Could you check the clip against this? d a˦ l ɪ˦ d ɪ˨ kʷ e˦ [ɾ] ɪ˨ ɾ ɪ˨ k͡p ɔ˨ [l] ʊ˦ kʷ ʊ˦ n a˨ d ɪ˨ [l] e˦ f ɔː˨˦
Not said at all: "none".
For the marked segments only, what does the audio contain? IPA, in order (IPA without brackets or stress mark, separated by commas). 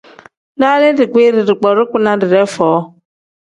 ɾ, ɾ, ɾ